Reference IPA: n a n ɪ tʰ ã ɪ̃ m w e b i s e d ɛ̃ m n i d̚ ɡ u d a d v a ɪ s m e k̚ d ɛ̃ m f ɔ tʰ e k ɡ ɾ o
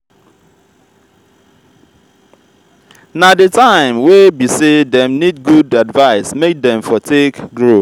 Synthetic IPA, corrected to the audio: n a d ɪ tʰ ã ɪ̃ m w e b i s e d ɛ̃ m n i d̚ ɡ u d a d v a ɪ s m e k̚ d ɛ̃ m f ɔ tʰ e k ɡ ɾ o